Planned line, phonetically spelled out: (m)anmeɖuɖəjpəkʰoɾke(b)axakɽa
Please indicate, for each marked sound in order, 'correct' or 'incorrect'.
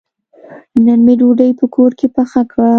incorrect: n, incorrect: p

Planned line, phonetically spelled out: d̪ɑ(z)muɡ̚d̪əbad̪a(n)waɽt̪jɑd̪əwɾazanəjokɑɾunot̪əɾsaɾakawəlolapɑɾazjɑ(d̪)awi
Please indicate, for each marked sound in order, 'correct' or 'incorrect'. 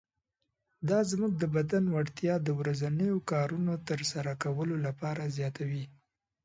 correct, correct, incorrect: t̪

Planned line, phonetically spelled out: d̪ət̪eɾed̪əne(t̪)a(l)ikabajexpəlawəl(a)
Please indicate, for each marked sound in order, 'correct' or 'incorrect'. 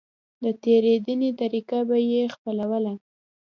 correct, incorrect: ɾ, correct

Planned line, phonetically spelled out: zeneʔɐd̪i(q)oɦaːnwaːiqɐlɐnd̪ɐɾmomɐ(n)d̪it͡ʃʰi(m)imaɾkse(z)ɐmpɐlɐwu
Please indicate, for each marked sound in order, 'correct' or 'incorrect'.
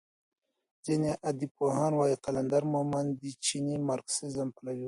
incorrect: p, correct, incorrect: n, correct

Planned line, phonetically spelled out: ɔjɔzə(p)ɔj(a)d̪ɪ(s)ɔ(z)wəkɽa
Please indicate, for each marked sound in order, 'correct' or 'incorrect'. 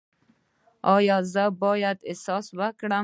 incorrect: b, correct, correct, incorrect: s

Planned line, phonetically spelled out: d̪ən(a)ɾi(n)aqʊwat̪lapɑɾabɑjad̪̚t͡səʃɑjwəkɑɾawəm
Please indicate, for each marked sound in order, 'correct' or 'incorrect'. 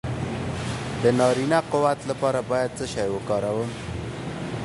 incorrect: ɑ, correct

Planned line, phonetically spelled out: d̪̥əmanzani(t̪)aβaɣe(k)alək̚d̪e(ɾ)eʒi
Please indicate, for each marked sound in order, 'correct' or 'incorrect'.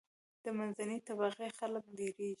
correct, incorrect: x, correct

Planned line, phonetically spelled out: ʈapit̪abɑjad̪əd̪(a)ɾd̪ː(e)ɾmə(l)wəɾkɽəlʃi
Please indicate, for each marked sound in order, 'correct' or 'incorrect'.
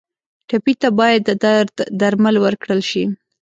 correct, incorrect: a, correct

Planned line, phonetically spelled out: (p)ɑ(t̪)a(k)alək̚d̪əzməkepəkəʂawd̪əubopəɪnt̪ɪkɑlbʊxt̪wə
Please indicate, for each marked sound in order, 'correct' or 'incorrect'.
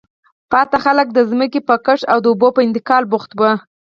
correct, correct, incorrect: x

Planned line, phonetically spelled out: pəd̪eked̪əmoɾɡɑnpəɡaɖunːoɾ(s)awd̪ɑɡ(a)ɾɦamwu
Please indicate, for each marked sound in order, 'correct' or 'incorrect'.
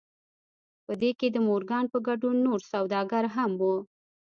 correct, correct

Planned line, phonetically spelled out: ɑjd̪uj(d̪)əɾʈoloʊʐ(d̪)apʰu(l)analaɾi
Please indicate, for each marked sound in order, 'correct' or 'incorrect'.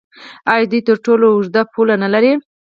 incorrect: t̪, correct, correct

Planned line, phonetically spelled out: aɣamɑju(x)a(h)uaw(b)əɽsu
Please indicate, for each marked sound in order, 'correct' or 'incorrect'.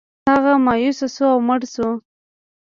incorrect: s, incorrect: s, incorrect: m

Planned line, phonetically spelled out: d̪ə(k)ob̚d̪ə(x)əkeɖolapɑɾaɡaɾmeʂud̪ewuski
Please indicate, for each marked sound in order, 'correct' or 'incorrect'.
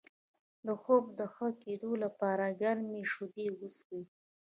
incorrect: x, correct

